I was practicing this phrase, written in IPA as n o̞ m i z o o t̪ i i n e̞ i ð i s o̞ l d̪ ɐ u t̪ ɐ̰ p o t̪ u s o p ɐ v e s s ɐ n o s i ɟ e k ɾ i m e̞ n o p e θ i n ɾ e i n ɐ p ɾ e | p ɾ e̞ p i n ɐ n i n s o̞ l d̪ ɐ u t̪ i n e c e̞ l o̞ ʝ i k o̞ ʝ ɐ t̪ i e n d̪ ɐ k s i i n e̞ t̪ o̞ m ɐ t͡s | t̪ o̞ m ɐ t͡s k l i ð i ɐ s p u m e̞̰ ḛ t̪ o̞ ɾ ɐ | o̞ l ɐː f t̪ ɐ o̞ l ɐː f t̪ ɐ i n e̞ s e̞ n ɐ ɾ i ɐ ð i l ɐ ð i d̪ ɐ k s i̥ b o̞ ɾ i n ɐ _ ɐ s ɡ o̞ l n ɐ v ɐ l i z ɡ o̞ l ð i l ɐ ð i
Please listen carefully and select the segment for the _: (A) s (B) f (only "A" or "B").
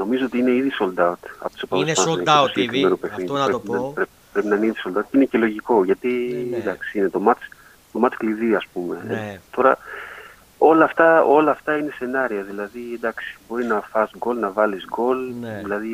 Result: B